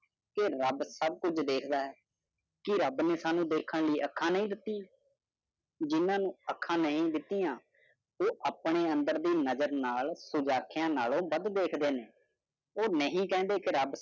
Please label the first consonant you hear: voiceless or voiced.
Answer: voiceless